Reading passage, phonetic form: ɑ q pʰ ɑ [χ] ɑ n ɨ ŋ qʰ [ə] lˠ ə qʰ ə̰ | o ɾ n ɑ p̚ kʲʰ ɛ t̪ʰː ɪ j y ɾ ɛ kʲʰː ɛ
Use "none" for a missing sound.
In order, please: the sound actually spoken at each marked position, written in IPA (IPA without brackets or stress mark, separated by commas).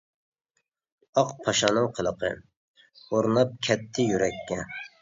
ʃ, ə